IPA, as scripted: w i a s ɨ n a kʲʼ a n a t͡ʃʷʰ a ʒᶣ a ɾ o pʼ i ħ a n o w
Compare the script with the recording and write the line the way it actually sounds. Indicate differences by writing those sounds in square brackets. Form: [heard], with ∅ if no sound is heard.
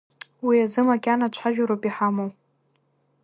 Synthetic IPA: w i a [z] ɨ [m] a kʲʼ a n a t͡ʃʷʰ a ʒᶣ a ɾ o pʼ i ħ a [m] o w